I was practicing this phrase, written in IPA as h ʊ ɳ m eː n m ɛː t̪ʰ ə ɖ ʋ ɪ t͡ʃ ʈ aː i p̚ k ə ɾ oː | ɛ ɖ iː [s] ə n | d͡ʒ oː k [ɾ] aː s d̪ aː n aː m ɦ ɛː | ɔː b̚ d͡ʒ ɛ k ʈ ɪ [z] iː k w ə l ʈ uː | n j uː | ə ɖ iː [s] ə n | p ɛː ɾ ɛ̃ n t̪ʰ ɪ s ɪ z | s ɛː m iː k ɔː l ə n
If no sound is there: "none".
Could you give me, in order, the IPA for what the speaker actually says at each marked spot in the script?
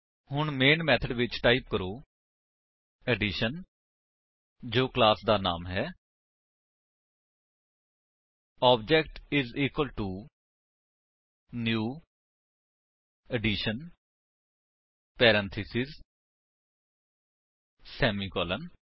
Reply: ʃ, l, z, ʃ

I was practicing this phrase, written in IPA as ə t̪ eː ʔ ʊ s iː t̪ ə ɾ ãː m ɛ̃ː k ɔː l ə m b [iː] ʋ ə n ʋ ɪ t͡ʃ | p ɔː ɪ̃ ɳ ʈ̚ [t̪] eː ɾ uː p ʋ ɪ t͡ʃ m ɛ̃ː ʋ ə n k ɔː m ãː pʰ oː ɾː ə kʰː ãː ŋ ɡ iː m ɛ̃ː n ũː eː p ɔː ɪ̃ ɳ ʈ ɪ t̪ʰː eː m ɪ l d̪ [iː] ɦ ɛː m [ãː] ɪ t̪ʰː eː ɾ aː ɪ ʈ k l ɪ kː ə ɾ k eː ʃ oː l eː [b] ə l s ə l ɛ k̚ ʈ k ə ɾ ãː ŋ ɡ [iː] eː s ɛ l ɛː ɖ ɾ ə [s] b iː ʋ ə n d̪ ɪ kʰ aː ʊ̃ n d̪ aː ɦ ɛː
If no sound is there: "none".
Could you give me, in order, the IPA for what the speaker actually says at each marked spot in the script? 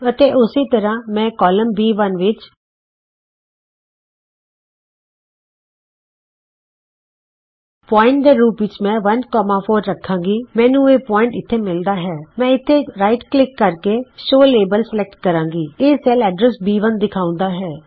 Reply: iː, d̪, aː, ɛ̃ː, b, iː, s

